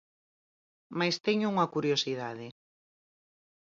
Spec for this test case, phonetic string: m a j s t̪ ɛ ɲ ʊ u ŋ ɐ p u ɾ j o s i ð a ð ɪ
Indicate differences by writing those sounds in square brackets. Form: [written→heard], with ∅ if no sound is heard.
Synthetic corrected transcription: m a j s t̪ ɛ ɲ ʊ u ŋ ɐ [p→k] u ɾ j o s i ð a ð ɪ